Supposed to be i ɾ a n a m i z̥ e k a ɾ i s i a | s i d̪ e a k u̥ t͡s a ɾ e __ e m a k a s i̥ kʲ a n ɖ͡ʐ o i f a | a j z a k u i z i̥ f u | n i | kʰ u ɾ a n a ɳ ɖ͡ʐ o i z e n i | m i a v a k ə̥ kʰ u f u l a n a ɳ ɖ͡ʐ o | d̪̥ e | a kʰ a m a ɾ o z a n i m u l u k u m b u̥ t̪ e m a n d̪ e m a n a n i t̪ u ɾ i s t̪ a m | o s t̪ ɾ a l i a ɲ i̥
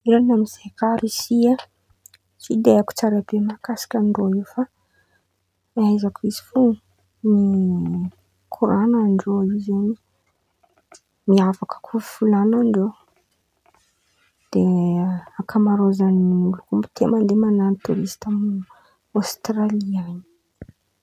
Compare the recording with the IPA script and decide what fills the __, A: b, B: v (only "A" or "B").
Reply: A